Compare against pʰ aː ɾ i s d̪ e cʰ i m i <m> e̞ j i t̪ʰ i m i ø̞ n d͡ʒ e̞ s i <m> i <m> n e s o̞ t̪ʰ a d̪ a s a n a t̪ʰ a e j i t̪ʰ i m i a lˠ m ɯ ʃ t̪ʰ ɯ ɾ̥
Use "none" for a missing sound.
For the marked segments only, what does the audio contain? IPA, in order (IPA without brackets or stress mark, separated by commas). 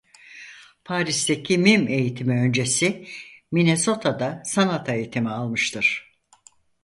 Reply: m, m, none